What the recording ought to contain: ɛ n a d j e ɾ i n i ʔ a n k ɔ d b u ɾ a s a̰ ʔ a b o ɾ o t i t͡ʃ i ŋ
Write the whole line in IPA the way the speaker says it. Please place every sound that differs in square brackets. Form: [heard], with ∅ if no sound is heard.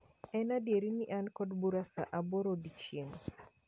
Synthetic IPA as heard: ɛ n a d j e ɾ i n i ʔ a n k ɔ d b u ɾ a s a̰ ʔ a b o ɾ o [d] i t͡ʃ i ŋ